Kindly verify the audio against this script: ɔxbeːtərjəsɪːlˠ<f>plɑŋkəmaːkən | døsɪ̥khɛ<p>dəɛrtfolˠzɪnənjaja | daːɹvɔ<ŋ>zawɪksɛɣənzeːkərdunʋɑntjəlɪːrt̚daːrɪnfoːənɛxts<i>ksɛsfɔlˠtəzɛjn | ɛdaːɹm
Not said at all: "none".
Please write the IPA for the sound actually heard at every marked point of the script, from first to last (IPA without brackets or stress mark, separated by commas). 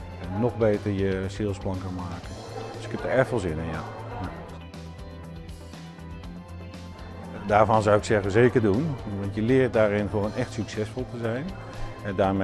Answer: s, p, n, y